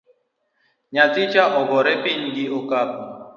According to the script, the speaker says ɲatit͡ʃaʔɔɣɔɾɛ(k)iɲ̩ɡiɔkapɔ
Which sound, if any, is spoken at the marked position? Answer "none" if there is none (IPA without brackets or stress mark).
p